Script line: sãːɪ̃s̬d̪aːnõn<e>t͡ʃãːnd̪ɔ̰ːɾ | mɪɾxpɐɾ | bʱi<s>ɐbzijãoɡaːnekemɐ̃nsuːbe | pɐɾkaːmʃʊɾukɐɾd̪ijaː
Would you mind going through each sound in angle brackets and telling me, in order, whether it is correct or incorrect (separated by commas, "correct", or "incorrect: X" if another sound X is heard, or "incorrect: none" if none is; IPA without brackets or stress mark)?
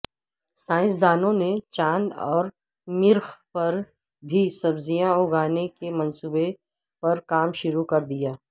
correct, correct